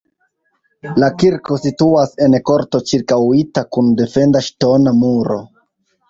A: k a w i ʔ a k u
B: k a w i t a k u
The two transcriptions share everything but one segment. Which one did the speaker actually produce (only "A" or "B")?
B